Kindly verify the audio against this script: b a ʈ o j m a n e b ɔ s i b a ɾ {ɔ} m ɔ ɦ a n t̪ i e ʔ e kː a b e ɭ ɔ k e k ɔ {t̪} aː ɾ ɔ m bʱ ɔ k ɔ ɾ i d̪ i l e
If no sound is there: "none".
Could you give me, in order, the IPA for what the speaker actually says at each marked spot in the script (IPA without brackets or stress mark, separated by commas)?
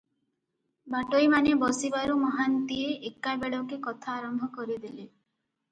u, t̪ʰ